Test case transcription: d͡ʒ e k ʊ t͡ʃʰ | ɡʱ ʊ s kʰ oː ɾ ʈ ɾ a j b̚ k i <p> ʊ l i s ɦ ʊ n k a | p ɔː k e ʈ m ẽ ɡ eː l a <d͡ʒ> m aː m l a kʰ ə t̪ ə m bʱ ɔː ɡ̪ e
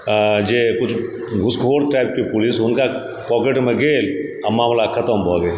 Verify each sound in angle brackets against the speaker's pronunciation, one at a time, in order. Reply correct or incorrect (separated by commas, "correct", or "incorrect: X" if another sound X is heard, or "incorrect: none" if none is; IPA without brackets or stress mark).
correct, incorrect: none